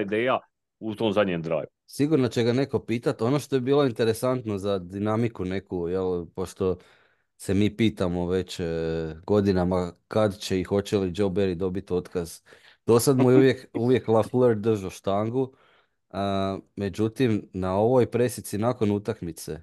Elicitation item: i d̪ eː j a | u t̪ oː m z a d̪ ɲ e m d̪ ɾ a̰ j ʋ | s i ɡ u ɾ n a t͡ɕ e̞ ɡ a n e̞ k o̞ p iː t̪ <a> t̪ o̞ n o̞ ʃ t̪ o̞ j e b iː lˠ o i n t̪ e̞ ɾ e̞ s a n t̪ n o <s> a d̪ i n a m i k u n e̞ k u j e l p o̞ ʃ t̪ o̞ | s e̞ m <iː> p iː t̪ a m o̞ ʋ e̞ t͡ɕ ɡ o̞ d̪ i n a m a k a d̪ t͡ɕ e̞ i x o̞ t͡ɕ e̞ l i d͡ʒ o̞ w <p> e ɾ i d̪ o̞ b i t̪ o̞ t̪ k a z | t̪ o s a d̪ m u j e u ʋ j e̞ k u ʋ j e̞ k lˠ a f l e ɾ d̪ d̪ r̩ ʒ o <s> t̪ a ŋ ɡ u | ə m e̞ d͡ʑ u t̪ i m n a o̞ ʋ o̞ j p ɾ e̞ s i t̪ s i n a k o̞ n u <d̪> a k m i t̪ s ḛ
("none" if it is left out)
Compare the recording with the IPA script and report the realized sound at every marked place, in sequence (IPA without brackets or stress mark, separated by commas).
a, z, iː, b, ʃ, t̪